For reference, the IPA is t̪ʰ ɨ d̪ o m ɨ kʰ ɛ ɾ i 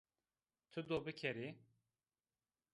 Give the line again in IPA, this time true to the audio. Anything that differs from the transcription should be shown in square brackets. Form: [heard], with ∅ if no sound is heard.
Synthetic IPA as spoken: t̪ʰ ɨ d̪ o [b] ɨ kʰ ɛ ɾ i